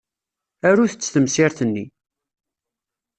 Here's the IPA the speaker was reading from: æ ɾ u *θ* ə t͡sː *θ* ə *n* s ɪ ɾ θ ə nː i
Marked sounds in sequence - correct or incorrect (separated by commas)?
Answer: correct, correct, incorrect